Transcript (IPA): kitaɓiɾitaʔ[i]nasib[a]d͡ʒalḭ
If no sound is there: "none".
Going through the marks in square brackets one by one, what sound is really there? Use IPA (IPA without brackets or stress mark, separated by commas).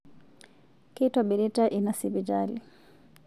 i, i